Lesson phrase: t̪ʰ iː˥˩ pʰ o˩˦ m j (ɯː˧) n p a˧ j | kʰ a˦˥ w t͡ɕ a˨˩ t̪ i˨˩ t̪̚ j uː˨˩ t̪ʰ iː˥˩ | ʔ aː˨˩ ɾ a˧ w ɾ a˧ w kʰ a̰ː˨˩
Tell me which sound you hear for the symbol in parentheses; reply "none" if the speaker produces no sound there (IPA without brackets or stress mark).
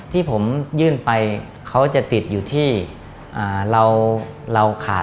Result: ɯː˥˩